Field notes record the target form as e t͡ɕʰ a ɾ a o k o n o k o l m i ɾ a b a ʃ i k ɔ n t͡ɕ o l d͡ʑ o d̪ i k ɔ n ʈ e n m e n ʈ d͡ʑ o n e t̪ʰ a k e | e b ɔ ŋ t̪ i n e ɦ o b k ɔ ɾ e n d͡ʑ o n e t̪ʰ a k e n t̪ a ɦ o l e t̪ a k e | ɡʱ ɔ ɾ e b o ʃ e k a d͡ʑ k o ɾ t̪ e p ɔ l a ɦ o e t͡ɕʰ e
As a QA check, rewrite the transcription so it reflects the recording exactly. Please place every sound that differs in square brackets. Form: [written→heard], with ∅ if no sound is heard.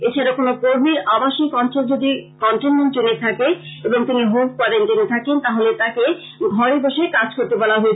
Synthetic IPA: e t͡ɕʰ a ɾ a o k o n o k o [l→ɾ] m i ɾ a b a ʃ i k ɔ n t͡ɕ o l d͡ʑ o d̪ i k ɔ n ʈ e n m e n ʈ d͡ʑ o n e t̪ʰ a k e | e b [ɔ→o] ŋ t̪ i n [e→i] ɦ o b k ɔ ɾ e n d͡ʑ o n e t̪ʰ a k e n t̪ a ɦ o l e t̪ a k e | ɡʱ ɔ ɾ e b o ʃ e k a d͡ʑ k o ɾ t̪ e [p→b] ɔ l a ɦ o e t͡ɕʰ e

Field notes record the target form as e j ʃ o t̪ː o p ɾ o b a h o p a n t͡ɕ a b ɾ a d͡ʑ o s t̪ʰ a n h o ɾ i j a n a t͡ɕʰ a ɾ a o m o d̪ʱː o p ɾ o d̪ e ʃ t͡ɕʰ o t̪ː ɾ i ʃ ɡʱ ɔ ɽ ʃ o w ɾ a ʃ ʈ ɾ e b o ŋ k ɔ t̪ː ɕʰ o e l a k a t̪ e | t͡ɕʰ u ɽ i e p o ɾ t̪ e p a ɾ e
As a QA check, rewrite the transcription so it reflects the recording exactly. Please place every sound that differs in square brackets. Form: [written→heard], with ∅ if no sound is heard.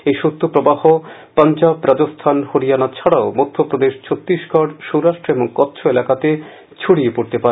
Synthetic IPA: e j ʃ o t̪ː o p ɾ o b a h o p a n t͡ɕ a b ɾ a d͡ʑ o s t̪ʰ a n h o ɾ i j a n a t͡ɕʰ a [ɾ→ɽ] a o m o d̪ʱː o p ɾ o d̪ e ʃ t͡ɕʰ o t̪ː ɾ i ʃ ɡʱ ɔ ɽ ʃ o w ɾ a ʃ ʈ ɾ e b o ŋ k ɔ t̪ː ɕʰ o e l a k a t̪ e | t͡ɕʰ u ɽ i e p o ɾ t̪ e p a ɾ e

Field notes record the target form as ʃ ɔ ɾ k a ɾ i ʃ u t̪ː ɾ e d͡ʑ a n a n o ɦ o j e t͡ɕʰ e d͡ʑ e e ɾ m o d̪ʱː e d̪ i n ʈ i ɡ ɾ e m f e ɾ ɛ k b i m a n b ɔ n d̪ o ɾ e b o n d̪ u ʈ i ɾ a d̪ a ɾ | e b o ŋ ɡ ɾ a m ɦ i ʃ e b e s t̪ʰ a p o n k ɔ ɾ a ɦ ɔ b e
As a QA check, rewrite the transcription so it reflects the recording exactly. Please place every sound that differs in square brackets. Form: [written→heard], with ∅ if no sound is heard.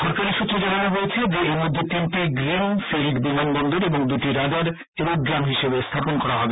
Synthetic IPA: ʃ ɔ ɾ k a ɾ i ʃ u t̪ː ɾ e d͡ʑ a n a n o ɦ o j e t͡ɕʰ e d͡ʑ e e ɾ m o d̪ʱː e [d̪→t̪] i n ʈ i ɡ ɾ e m f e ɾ [ɛ→i] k b i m a n b ɔ n d̪ o ɾ e b o [n→ŋ] d̪ u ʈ i ɾ a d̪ a ɾ | e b o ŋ ɡ ɾ a m ɦ i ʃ e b e s t̪ʰ a p o n k ɔ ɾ a ɦ ɔ b e

